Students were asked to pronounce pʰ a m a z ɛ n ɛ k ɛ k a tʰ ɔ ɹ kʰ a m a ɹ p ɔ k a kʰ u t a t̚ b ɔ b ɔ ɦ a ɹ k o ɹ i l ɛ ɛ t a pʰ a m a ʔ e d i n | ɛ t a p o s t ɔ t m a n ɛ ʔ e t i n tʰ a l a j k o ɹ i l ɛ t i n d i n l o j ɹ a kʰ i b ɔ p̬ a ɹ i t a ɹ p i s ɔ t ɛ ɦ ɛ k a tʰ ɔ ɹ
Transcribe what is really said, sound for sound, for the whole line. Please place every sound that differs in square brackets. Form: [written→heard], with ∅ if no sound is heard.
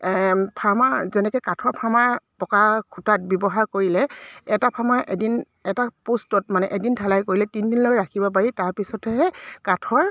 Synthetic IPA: pʰ a m a z ɛ n ɛ k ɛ k a tʰ ɔ ɹ [kʰ→pʰ] a m a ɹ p ɔ k a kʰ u t a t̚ b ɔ b ɔ ɦ a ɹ k o ɹ i l ɛ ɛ t a pʰ a m a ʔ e d i n | ɛ t a p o s t ɔ t m a n ɛ ʔ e [t→d] i n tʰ a l a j k o ɹ i l ɛ t i n d i n l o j ɹ a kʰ i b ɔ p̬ a ɹ i t a ɹ p i s ɔ t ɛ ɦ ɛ k a tʰ ɔ ɹ